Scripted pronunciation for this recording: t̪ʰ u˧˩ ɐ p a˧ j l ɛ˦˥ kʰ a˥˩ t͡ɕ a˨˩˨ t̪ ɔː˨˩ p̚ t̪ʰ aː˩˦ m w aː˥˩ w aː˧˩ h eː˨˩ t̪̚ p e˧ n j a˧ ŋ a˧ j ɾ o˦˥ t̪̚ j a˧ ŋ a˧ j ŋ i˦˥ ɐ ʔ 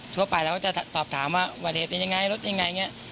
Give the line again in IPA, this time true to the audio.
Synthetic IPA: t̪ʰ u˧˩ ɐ p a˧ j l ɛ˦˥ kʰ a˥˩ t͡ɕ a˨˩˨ t̪ ɔː˨˩ p̚ t̪ʰ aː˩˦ m w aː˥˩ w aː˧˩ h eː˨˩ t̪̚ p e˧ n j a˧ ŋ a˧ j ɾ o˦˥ t̪̚ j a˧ ŋ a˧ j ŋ i˦˥ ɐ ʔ

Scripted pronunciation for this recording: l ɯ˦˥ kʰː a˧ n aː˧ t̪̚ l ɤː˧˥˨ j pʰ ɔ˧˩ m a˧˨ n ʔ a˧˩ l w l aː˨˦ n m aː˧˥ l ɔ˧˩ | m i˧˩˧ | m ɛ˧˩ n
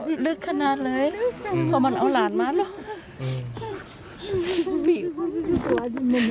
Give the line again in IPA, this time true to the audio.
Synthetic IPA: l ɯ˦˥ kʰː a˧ n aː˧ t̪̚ l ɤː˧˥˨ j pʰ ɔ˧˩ m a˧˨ n ʔ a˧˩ w l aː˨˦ n m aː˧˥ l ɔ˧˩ | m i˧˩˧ | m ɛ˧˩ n

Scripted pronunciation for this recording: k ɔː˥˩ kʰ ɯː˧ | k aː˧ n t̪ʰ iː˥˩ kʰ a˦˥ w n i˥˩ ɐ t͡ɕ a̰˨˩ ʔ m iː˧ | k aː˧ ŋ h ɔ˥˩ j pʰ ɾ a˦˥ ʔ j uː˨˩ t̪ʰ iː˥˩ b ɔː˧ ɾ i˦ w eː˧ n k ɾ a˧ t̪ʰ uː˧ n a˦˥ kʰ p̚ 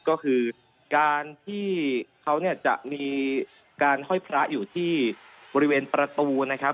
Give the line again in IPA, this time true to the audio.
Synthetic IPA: k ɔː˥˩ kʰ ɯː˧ | k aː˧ n t̪ʰ iː˥˩ kʰ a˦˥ w n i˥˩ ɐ t͡ɕ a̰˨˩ ʔ m iː˧ | k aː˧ n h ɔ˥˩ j pʰ ɾ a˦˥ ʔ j uː˨˩ t̪ʰ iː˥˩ b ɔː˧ ɾ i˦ w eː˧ n p ɾ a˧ t̪ uː˧ n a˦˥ kʰ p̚

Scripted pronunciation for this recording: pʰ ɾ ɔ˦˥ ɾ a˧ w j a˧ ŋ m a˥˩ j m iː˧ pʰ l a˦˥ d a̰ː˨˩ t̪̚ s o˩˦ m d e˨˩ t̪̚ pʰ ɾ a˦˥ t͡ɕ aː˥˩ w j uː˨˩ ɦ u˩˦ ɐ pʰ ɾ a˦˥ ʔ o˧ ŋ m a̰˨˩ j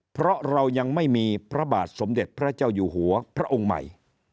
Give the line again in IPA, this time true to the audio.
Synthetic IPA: pʰ ɾ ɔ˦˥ ɾ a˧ w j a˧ ŋ m a˥˩ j m iː˧ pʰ ɾ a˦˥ b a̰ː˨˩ t̪̚ s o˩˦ m d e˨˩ t̪̚ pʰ ɾ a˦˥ t͡ɕ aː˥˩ w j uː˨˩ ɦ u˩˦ ɐ pʰ ɾ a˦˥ ʔ o˧ ŋ m a̰˨˩ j

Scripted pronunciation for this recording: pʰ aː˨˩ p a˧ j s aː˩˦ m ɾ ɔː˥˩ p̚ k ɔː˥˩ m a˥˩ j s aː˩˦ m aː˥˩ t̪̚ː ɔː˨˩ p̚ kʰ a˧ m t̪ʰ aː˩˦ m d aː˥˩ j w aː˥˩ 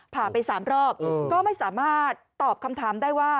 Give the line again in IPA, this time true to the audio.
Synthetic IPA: pʰ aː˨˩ p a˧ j s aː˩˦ m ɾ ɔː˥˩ p̚ k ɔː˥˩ m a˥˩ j s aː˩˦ m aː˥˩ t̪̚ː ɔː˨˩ p̚ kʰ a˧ m t̪ʰ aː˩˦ m d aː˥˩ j w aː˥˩

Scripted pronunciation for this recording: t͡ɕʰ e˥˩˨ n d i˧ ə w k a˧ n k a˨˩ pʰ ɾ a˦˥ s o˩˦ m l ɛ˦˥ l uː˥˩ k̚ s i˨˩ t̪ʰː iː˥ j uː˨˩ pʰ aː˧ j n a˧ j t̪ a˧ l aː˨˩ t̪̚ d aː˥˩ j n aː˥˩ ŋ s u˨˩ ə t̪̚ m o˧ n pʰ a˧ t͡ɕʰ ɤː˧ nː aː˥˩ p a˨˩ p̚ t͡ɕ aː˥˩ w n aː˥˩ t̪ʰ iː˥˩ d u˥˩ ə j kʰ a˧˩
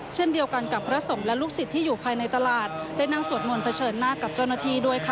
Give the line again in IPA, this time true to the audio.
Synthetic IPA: t͡ɕʰ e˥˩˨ n d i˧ ə w k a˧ n k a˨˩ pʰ ɾ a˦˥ s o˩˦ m l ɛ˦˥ l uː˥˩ k̚ s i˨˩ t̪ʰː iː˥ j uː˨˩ pʰ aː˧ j n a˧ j t̪ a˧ l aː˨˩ t̪̚ d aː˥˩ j n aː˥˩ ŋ s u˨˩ ə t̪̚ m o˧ n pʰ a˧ t͡ɕʰ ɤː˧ nː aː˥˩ k a˨˩ p̚ t͡ɕ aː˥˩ w n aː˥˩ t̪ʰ iː˥˩ d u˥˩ ə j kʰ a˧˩

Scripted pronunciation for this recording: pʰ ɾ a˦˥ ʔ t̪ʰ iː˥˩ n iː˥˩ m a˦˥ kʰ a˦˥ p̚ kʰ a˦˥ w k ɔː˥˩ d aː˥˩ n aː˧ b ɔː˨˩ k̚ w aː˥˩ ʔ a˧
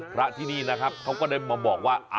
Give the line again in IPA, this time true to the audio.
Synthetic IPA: pʰ ɾ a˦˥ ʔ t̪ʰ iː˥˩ n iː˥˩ n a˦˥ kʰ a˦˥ p̚ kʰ a˦˥ w k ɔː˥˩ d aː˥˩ m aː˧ b ɔː˨˩ k̚ w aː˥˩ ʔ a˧

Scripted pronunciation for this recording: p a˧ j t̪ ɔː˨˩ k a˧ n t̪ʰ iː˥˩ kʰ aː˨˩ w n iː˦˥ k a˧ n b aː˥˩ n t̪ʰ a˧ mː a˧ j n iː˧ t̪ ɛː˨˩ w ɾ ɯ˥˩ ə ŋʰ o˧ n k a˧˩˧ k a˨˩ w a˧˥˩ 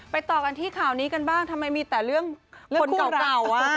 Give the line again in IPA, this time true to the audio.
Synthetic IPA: p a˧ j t̪ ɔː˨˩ k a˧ n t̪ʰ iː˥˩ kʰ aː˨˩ w n iː˦˥ k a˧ n b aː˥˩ ŋ t̪ʰ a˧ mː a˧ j m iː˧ t̪ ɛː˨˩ ɾ ɯ˥˩ ə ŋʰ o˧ n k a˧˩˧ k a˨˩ w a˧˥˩

